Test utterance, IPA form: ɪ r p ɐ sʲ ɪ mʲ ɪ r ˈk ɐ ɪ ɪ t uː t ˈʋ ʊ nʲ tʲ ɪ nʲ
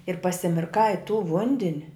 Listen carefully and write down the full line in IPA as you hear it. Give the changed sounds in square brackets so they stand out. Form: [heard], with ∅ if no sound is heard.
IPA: ɪ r p ɐ sʲ ɪ mʲ ɪ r ˈk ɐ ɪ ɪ t uː [∅] ˈʋ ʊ nʲ [dʲ] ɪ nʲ